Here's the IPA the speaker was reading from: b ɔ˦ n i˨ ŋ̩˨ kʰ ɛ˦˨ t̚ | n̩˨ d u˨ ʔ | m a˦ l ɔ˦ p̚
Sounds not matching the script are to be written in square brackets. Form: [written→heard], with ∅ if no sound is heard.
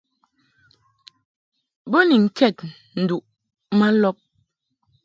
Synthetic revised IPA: b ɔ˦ n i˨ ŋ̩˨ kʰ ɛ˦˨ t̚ | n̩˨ d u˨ ʔ | m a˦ l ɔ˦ p̚